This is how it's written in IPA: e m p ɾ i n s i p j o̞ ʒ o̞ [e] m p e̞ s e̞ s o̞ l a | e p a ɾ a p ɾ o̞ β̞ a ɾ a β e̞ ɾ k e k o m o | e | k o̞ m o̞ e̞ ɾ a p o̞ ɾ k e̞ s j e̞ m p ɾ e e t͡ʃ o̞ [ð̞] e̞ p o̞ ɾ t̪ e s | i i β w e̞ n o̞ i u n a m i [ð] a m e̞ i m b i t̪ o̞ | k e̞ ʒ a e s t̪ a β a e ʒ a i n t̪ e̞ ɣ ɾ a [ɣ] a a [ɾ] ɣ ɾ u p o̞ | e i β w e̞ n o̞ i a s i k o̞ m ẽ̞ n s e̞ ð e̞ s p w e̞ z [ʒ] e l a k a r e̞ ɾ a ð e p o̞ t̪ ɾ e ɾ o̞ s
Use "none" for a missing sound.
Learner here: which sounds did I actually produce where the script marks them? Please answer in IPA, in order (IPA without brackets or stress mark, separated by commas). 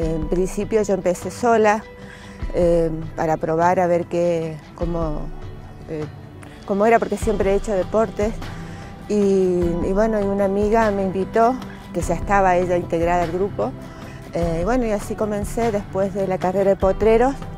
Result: e, ð̞, ɣ, ð, l, ð